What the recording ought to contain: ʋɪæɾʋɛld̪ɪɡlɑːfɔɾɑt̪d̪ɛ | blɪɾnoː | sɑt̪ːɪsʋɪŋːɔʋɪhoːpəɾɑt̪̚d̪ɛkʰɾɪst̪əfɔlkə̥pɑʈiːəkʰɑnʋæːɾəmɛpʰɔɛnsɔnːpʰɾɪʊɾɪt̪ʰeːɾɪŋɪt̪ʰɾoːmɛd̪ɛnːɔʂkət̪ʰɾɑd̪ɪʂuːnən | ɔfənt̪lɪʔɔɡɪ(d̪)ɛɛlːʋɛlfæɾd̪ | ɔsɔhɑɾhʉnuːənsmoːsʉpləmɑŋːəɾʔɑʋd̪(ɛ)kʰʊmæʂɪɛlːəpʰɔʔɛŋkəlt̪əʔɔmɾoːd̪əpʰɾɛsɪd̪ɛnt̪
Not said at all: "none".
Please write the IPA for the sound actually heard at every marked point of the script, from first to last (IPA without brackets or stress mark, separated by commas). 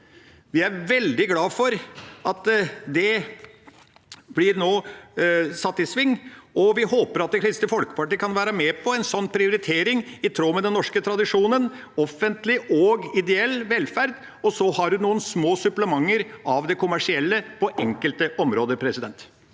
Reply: d̪, ɛ